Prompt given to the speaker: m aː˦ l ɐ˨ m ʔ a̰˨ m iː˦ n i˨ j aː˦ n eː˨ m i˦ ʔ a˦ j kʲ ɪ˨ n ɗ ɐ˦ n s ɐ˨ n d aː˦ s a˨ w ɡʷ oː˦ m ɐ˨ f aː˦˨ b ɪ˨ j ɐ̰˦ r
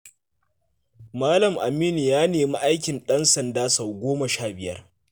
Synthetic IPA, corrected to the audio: m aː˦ l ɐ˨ m ʔ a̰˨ m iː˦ n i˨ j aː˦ n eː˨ m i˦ ʔ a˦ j kʲ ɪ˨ n ɗ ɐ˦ n s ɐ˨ n d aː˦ s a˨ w ɡʷ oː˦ m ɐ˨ ʃ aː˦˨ b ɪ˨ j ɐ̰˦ r